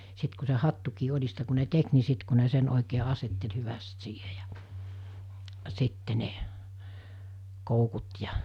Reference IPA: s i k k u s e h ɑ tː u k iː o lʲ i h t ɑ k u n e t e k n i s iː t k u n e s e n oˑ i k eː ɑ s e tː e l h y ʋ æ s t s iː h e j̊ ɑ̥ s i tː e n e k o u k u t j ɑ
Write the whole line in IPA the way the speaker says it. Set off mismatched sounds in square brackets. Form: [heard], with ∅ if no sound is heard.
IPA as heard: s i [t] k u s e h ɑ tː u k iː o lʲ i [s] t ɑ k u n e t e k n i s [i] t k u n e s e n oˑ i k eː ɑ s e tː e l h y ʋ æ s t s iː h e j̊ ɑ̥ s i tː e n e k o u k u t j ɑ